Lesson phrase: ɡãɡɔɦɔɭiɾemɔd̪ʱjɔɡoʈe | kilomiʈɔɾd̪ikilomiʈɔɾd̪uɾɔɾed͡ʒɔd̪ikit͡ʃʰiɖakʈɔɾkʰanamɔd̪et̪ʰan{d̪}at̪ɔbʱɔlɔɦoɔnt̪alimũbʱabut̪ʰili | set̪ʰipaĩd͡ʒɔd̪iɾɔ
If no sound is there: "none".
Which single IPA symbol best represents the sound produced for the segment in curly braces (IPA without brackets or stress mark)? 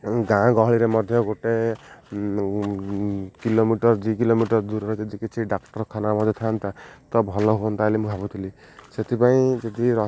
t̪